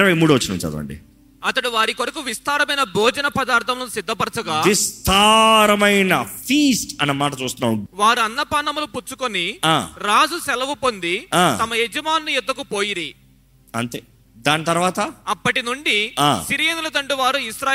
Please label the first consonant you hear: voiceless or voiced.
voiced